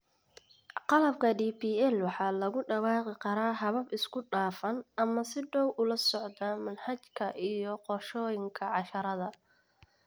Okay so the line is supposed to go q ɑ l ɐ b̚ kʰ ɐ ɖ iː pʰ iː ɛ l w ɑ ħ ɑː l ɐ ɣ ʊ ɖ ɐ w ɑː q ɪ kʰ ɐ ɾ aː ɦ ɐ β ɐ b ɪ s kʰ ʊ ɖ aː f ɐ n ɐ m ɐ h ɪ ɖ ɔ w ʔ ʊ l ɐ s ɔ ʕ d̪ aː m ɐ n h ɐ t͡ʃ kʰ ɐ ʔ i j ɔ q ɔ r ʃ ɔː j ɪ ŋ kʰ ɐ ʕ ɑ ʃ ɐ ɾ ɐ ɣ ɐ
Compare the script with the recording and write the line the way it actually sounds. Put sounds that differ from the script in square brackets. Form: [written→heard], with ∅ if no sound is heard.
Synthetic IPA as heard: q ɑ l ɐ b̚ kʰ ɐ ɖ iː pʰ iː ɛ l w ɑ ħ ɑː l ɐ ɣ ʊ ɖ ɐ w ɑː q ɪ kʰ ɐ ɾ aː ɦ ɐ β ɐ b ɪ s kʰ ʊ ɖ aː f ɐ n ɐ m ɐ [h→s] ɪ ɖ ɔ w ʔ ʊ l ɐ s ɔ ʕ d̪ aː m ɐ n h ɐ t͡ʃ kʰ ɐ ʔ i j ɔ q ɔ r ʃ ɔː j ɪ ŋ kʰ ɐ ʕ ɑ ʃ ɐ ɾ ɐ [ɣ→ð] ɐ